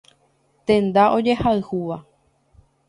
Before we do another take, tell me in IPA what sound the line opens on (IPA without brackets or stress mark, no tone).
t̪